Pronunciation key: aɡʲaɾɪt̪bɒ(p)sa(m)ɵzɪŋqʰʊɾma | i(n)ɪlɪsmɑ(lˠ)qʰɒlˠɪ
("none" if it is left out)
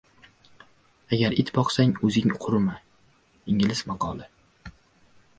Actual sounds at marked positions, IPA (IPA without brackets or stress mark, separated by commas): q, ŋ, ŋ, none